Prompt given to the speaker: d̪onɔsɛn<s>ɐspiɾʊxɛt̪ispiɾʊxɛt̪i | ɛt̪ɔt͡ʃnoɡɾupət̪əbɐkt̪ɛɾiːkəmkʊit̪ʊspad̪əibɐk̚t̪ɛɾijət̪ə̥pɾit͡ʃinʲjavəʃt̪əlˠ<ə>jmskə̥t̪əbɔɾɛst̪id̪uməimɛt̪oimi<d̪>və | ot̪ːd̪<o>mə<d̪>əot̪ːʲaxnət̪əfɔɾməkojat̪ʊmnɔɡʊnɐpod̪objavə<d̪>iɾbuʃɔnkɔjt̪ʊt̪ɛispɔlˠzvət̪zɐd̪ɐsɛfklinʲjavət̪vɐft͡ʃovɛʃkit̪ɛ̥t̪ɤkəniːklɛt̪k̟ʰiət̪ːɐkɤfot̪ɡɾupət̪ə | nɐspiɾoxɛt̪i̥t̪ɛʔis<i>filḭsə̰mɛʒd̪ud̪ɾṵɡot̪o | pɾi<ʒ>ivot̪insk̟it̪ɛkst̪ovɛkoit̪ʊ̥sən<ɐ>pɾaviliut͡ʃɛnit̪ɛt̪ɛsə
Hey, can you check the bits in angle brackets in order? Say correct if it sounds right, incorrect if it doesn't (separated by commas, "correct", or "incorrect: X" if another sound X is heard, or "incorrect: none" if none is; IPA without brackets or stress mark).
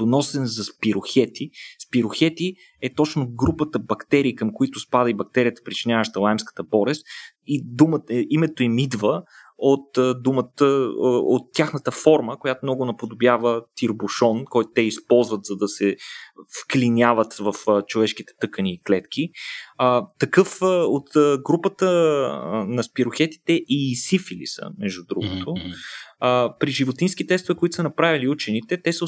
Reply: incorrect: z, incorrect: a, correct, incorrect: u, incorrect: t̪, incorrect: t̪, correct, correct, correct